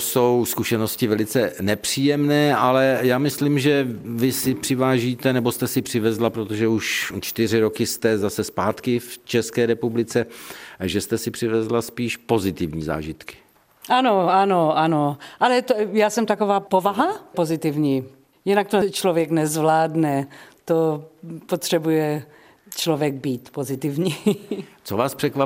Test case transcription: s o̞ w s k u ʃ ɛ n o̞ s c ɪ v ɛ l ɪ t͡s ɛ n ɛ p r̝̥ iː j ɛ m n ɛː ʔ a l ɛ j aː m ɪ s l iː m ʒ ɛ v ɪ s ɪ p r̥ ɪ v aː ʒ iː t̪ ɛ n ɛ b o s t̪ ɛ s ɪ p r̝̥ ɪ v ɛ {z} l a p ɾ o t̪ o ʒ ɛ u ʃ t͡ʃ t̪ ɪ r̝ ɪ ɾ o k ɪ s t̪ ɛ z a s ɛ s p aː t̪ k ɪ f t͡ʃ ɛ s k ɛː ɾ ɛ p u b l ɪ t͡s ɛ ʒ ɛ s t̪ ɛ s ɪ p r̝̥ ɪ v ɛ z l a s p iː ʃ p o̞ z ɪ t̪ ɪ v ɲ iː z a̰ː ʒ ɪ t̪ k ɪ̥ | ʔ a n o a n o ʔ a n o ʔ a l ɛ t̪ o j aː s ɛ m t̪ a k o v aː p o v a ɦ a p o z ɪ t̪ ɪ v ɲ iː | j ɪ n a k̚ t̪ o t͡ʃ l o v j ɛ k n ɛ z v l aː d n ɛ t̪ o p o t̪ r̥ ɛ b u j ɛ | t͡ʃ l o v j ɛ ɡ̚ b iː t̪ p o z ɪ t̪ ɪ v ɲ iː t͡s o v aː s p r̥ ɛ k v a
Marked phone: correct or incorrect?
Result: correct